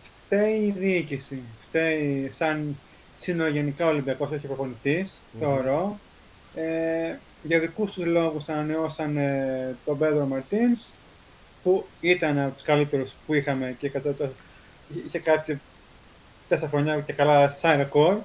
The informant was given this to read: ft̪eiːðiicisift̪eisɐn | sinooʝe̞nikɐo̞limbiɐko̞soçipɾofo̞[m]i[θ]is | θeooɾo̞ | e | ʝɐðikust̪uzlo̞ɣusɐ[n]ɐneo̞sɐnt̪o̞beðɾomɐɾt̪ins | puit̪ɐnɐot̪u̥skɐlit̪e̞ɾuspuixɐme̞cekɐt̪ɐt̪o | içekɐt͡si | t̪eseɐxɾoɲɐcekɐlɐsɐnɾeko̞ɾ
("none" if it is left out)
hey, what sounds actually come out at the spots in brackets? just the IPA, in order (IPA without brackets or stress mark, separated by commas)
n, θ, n